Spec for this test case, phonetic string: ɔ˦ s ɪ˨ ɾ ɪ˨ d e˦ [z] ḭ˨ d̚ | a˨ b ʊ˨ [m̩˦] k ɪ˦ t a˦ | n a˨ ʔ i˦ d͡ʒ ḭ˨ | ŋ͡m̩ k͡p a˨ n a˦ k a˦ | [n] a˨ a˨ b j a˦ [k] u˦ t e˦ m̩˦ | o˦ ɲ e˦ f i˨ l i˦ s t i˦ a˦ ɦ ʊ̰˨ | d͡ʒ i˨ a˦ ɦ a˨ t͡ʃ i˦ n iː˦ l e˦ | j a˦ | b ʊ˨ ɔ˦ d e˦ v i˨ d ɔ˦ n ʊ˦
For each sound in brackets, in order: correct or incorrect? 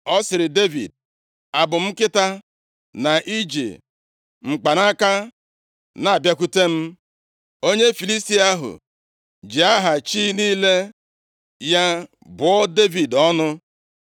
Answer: incorrect: v, correct, correct, correct

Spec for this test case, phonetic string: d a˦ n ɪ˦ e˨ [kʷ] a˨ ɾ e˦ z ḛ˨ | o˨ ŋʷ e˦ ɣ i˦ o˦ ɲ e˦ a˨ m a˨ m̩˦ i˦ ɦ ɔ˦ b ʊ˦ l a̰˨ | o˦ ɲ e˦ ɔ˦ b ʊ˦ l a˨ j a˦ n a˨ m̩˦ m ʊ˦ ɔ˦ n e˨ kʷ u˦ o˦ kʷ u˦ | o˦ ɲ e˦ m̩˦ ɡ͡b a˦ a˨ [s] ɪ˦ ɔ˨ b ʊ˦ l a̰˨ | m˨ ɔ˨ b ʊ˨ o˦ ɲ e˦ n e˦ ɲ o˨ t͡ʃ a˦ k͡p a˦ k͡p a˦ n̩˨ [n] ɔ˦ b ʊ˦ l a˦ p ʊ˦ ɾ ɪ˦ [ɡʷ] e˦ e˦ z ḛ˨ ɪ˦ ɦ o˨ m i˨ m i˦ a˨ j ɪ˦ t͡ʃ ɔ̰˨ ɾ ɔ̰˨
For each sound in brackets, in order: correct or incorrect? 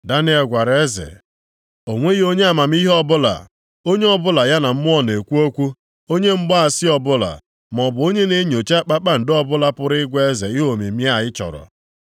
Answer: incorrect: ɡʷ, correct, incorrect: d, correct

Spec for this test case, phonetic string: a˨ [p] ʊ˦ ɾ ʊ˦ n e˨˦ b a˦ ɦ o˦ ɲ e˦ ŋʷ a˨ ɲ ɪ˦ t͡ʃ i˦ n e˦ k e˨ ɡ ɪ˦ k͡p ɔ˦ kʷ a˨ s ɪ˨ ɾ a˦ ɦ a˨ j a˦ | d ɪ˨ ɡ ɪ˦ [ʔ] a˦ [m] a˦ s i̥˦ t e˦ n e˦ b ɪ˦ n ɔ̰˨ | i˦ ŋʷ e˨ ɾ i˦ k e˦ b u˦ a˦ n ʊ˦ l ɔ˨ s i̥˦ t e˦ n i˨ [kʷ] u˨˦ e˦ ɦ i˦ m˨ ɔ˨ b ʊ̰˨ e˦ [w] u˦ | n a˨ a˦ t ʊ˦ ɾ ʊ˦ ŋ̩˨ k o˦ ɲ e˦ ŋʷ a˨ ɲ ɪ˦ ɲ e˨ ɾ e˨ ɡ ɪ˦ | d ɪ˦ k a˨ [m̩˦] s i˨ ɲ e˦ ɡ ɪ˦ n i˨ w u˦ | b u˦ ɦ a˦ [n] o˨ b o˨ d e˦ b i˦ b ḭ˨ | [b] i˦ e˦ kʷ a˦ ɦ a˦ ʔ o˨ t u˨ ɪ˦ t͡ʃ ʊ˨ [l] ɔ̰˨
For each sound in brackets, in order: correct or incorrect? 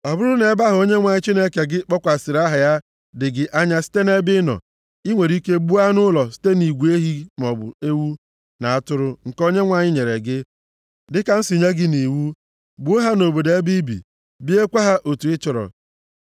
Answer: incorrect: b, correct, incorrect: ɲ, incorrect: ɡʷ, correct, incorrect: n̩˦, correct, correct, incorrect: ɾ

